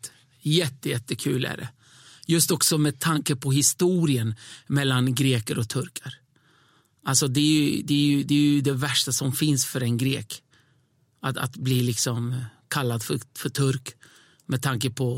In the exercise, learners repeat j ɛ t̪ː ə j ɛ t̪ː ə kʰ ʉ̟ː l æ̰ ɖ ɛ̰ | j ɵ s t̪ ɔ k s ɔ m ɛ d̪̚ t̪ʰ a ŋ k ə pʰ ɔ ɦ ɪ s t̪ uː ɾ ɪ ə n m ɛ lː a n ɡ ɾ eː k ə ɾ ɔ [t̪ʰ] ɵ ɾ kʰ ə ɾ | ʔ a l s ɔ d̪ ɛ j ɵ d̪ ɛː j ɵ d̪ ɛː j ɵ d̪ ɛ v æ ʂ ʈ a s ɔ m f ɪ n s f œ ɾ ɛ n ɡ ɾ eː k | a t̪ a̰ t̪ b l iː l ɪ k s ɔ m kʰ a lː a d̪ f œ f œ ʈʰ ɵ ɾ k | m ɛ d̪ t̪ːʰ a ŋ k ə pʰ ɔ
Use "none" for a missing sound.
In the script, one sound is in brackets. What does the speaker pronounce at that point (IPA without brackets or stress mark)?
t̪ʰ